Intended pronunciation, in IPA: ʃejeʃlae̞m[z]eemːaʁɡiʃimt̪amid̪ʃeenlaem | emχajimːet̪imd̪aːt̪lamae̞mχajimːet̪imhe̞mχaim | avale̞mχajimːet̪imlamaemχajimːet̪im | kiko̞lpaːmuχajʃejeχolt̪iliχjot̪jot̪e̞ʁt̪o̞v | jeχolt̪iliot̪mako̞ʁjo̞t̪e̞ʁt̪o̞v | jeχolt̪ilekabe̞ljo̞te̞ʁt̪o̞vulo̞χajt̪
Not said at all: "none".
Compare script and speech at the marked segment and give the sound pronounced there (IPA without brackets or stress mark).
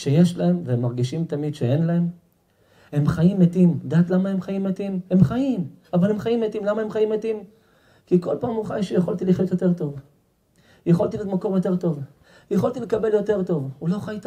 v